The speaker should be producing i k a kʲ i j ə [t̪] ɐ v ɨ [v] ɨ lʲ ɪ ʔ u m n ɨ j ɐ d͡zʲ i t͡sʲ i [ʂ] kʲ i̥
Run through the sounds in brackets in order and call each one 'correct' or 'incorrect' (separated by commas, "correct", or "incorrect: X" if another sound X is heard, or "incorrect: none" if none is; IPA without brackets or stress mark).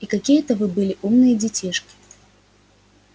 correct, incorrect: b, correct